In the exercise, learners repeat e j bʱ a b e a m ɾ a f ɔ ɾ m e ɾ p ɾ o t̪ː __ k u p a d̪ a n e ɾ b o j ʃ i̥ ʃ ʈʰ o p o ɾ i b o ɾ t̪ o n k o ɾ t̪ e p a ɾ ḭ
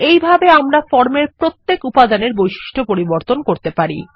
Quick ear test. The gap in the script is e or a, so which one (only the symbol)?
e